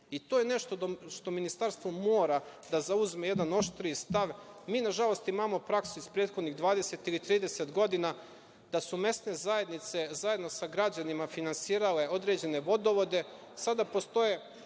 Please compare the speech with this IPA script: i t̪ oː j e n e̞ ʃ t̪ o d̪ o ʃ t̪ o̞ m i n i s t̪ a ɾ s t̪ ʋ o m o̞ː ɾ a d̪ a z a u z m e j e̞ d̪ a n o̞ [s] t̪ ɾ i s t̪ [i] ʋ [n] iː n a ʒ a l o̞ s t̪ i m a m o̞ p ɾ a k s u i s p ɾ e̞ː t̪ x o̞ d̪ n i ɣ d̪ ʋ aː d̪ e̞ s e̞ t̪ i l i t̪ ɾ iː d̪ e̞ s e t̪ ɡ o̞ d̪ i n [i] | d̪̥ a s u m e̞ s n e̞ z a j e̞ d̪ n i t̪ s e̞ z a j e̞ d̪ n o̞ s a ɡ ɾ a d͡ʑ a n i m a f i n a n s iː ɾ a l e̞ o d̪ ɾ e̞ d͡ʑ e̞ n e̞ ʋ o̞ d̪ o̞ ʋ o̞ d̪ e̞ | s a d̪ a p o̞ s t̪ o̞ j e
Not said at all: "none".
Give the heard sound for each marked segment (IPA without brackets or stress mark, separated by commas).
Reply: ʃ, a, m, a